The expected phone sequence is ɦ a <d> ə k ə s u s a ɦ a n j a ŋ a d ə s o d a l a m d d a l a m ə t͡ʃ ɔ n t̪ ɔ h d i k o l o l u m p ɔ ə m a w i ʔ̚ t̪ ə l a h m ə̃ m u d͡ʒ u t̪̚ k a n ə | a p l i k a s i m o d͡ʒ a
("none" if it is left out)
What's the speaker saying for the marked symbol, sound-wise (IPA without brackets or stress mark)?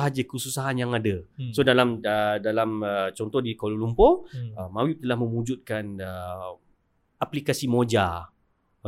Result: d͡ʒ